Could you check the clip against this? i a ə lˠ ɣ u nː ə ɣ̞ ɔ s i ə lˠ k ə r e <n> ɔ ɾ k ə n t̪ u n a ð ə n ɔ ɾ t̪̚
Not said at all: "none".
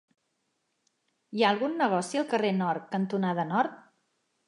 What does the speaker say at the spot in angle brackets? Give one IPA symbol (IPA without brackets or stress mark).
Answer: n